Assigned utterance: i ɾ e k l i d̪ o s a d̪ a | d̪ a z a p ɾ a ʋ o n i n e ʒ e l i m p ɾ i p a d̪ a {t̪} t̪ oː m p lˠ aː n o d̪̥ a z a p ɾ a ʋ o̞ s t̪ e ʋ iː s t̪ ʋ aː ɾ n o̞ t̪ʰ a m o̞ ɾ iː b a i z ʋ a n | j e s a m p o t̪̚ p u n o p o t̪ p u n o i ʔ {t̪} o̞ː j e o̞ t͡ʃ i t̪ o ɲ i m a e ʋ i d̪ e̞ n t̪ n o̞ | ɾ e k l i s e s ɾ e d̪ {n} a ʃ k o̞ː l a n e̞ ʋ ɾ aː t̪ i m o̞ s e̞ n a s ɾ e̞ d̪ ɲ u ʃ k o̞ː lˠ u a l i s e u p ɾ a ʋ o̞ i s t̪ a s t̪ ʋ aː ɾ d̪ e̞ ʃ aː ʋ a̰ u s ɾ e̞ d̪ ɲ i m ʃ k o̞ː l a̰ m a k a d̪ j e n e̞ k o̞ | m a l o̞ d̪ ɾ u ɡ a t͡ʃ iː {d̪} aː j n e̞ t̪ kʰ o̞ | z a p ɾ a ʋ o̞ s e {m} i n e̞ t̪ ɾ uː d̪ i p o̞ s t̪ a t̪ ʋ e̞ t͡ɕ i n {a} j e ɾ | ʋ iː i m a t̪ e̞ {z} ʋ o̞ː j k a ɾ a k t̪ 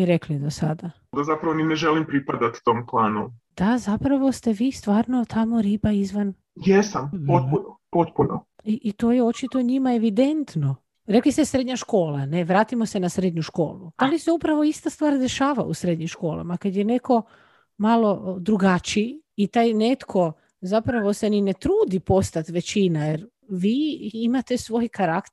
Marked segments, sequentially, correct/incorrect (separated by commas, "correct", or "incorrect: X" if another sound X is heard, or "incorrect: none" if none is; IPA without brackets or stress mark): correct, correct, incorrect: ɲ, incorrect: t̪, incorrect: n, correct, incorrect: s